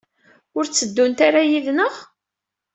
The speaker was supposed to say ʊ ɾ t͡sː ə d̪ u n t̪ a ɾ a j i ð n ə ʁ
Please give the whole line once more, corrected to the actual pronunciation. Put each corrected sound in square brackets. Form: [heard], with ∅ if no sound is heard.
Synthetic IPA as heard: ʊ ɾ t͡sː ə [d̪ː] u n t̪ a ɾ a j i ð n ə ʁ